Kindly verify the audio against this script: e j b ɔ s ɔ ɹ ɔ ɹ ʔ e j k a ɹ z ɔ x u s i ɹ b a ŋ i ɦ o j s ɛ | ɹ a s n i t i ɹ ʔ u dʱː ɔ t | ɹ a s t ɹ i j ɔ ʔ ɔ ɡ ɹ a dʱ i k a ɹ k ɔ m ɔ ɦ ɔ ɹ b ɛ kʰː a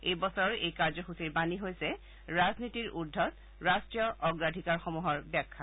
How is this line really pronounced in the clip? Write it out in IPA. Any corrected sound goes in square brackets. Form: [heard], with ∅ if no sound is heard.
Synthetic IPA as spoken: e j b ɔ s ɔ ɹ ɔ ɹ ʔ e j k a ɹ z ɔ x u s i ɹ b a [n] i ɦ o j s ɛ | ɹ a [z] n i t i ɹ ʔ u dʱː ɔ t | ɹ a s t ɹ i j ɔ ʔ ɔ ɡ ɹ a dʱ i k a ɹ [x] ɔ m [u] ɦ ɔ ɹ b ɛ kʰː a